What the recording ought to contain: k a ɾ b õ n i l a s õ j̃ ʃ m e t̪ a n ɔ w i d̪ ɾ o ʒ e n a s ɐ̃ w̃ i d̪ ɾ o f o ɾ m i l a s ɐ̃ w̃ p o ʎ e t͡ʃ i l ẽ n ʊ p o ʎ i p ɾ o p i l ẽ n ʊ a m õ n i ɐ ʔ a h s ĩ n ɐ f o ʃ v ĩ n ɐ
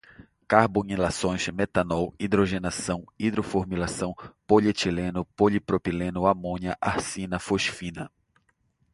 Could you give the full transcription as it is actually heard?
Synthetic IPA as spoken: k a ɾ b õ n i l a s õ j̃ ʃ m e t̪ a n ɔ w i d̪ ɾ o ʒ e n a s ɐ̃ w̃ i d̪ ɾ o f o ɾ m i l a s ɐ̃ w̃ p o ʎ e t͡ʃ i l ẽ n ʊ p o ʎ i p ɾ o p i l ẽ n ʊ a m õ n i ɐ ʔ a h s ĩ n ɐ f o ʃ f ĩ n ɐ